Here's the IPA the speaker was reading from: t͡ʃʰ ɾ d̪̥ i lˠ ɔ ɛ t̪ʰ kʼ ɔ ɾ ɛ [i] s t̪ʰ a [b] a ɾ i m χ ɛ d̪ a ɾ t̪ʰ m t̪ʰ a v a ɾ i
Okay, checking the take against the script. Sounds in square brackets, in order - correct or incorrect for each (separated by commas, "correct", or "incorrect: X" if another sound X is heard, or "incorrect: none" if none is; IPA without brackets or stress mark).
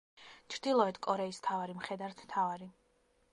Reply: correct, incorrect: v